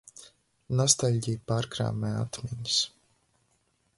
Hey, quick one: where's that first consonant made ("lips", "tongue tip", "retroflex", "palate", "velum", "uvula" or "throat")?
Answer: tongue tip